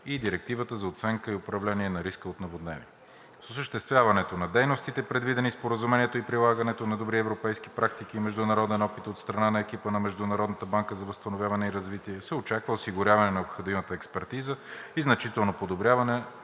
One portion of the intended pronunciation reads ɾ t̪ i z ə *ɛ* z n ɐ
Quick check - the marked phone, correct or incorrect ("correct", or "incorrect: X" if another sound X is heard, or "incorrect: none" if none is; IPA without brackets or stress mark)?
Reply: incorrect: i